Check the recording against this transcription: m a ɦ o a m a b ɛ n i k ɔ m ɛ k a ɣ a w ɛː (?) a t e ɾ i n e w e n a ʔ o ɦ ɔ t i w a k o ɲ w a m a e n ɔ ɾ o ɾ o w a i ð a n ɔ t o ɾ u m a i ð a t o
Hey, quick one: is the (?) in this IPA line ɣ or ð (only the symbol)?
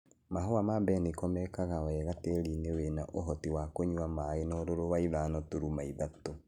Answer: ɣ